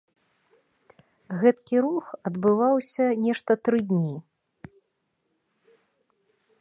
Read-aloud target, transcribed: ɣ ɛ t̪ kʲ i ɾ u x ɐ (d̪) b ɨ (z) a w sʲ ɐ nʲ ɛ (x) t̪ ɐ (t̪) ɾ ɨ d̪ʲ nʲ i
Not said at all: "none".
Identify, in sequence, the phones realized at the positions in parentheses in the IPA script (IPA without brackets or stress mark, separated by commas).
d̪, v, ʂ, t̪